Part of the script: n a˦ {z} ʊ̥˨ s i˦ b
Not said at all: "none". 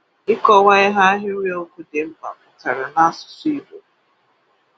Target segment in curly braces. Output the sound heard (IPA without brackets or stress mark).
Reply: s